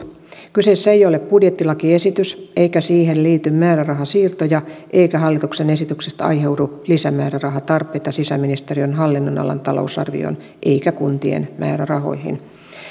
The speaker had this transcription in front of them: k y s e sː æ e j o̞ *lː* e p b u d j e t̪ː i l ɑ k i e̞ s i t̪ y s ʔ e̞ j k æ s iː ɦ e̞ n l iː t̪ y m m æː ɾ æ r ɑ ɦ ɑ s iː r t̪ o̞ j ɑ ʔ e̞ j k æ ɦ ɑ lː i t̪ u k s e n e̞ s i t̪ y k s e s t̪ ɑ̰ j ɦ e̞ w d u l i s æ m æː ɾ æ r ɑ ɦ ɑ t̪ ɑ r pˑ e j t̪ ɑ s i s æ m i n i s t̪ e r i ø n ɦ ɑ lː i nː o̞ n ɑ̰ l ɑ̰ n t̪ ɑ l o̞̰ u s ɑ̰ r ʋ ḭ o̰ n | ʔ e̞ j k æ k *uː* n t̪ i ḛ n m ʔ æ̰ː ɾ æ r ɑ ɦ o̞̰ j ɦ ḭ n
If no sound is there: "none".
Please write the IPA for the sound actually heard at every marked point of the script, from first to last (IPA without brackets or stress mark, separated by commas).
l, u